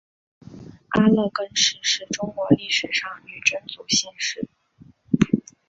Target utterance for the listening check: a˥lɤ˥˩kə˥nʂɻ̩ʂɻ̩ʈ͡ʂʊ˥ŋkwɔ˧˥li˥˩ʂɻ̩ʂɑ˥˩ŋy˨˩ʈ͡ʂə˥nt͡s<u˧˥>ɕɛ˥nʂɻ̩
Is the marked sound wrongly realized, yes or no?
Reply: yes